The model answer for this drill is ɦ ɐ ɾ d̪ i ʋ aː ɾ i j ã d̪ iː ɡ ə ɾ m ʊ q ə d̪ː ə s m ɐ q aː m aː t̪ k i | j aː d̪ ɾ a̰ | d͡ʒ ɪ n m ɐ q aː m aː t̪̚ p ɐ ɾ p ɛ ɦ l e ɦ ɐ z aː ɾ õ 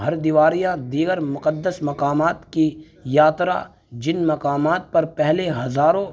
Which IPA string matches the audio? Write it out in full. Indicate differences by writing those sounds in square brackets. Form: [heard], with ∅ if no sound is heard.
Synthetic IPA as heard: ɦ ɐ ɾ d̪ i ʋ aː ɾ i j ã d̪ iː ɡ ə ɾ m ʊ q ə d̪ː ə s m ɐ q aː m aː t̪ k i | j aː [t̪] ɾ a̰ | d͡ʒ ɪ n m ɐ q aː m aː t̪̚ p ɐ ɾ p ɛ ɦ l e ɦ ɐ z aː ɾ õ